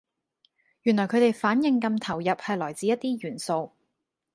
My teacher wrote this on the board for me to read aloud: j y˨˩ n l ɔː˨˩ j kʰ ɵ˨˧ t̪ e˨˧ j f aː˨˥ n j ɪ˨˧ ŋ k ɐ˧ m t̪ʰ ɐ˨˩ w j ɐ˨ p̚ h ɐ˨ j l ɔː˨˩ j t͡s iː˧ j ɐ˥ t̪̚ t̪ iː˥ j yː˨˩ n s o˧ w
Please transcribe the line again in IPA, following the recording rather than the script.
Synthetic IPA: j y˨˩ n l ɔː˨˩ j kʰ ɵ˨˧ t̪ e˨˧ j f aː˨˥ n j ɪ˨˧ ŋ k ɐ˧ m t̪ʰ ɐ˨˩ w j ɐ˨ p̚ h ɐ˨ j l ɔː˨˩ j t͡s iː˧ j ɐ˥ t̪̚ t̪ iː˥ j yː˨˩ n s o˧ w

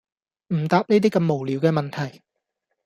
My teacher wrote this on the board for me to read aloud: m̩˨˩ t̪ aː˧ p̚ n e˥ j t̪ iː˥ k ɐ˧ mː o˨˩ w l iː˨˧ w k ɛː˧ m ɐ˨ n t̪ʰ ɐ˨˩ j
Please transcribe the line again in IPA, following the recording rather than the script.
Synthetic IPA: m̩˨˩ t̪ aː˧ p̚ n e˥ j t̪ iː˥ k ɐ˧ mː o˨˩ w l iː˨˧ w k ɛː˧ m ɐ˨ n t̪ʰ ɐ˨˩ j

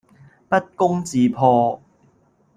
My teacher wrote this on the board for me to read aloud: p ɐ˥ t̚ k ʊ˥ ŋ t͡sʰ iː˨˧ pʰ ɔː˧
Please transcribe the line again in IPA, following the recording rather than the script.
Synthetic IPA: p ɐ˥ t̚ k ʊ˥ ŋ t͡s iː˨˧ pʰ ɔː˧

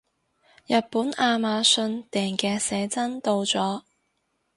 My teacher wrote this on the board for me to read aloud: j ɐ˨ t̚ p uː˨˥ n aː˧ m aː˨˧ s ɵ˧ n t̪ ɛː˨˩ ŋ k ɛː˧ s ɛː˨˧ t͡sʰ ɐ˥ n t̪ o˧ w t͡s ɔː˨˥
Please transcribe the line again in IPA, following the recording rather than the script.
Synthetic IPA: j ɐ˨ t̚ p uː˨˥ n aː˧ m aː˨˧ s ɵ˧ n t̪ ɛː˨˩ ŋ k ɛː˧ s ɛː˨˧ t͡s ɐ˥ n t̪ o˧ w t͡s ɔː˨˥

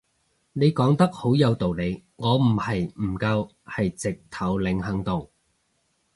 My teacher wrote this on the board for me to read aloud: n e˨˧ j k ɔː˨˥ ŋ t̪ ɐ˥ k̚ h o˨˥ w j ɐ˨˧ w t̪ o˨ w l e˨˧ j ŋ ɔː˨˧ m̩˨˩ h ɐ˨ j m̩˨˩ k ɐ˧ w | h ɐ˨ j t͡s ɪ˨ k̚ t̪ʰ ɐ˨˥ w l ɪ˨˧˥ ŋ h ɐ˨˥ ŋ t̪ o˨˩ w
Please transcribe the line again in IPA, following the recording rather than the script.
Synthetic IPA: n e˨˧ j k ɔː˨˥ ŋ t̪ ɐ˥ k̚ h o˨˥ w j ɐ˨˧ w t̪ o˨ w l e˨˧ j ŋ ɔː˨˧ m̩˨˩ h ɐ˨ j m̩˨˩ k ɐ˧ w | h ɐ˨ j t͡s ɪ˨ k̚ t̪ʰ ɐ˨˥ w l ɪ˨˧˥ ŋ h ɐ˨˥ ŋ t̪ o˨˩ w

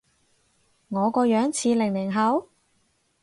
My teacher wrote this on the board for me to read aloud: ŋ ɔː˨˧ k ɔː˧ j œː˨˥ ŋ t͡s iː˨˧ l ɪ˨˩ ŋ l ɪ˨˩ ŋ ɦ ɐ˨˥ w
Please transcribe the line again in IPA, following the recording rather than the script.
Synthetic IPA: ŋ ɔː˨˧ k ɔː˧ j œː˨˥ ŋ t͡sʰ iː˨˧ l ɪ˨˩ ŋ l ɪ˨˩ ŋ ɦ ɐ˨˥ w

